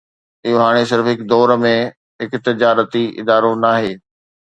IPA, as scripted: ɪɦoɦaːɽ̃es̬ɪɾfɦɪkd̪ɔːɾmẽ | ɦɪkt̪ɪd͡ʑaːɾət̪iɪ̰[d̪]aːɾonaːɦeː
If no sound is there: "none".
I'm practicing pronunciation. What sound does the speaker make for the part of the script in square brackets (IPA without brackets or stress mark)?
d̪